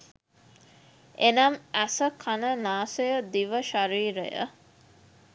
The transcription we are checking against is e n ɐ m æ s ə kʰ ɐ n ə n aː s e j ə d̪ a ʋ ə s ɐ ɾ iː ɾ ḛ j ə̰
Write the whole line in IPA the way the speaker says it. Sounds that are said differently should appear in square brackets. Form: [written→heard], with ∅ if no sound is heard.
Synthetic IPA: e n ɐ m æ s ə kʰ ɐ n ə n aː s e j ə d̪ [a→i] ʋ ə [s→ʃ] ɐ ɾ iː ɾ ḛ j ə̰